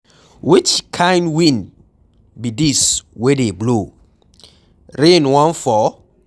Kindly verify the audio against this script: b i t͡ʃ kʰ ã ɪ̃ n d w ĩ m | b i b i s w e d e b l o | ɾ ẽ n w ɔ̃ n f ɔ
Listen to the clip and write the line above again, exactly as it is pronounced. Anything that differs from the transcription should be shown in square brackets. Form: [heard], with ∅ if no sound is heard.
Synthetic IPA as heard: [w] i t͡ʃ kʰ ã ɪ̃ n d w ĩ [n] | b i [d] i s w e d e b l o | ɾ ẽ n w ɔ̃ n f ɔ